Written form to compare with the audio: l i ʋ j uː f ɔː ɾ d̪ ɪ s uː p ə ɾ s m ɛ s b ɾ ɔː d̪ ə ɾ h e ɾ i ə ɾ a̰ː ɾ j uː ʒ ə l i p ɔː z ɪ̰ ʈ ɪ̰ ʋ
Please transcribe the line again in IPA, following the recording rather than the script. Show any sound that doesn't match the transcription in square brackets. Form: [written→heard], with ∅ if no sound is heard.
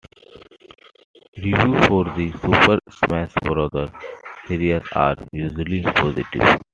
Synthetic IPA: [l→ɾ] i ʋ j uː f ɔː ɾ d̪ [ɪ→i] s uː p ə ɾ s m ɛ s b ɾ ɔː d̪ ə ɾ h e ɾ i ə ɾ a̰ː ɾ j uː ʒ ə l i p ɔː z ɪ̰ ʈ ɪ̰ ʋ